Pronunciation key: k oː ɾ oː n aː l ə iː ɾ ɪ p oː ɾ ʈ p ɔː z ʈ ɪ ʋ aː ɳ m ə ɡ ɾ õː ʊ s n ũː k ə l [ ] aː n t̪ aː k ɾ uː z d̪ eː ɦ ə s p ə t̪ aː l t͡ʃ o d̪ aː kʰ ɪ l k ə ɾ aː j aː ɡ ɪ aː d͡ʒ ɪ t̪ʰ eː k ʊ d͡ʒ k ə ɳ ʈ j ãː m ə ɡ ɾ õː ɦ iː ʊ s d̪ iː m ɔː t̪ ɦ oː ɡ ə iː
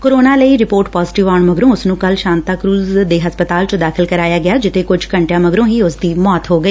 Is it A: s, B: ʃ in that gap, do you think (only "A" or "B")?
B